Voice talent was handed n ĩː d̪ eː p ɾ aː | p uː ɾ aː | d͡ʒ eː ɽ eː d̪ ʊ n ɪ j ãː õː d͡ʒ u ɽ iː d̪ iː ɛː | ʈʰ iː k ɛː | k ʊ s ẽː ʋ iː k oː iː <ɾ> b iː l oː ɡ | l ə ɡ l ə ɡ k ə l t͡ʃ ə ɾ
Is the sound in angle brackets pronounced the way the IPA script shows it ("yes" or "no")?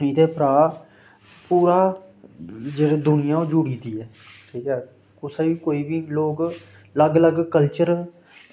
no